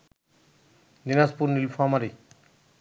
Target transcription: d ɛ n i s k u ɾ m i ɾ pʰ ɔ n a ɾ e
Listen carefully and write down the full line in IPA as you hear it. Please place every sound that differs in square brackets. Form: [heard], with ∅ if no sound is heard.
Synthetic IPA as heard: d [i] n [a] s [p] u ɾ [n] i [l] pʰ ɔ [m] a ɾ [i]